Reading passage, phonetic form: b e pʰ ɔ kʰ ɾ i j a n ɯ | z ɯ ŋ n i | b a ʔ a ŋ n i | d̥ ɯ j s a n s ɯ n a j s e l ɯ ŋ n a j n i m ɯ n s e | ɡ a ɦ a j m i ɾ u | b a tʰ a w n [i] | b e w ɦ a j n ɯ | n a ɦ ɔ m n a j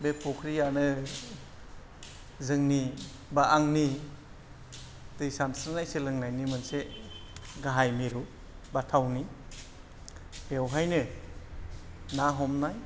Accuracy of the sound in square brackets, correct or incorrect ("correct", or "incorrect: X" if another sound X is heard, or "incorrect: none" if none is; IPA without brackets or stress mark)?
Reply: correct